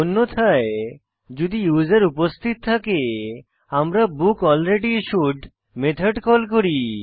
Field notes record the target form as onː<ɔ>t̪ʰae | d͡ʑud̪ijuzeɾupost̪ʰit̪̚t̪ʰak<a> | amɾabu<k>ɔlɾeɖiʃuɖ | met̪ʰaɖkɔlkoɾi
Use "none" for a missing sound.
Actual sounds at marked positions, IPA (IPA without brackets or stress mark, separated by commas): o, e, k